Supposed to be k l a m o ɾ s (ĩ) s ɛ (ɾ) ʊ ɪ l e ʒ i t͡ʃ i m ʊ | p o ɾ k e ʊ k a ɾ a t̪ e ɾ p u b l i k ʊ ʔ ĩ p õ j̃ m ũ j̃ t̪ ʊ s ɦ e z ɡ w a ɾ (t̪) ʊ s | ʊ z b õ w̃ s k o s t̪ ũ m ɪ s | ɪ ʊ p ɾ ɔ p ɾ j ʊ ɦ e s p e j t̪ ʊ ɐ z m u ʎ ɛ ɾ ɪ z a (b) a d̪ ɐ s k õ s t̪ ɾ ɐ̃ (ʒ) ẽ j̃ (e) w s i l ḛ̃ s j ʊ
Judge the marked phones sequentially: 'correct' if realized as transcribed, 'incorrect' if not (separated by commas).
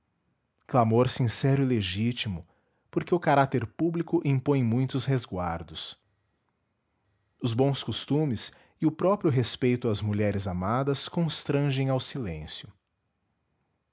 correct, correct, incorrect, incorrect, correct, incorrect